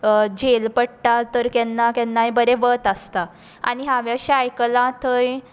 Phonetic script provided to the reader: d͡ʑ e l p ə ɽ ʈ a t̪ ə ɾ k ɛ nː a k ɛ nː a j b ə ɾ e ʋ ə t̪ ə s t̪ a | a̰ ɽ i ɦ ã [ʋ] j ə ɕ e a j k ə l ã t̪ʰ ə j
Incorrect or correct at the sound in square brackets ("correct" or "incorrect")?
correct